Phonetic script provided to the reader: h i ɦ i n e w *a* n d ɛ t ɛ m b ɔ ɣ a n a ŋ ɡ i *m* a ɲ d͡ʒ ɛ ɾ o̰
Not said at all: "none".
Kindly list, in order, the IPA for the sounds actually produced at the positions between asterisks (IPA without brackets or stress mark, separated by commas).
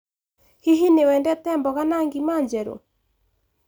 ɛ, m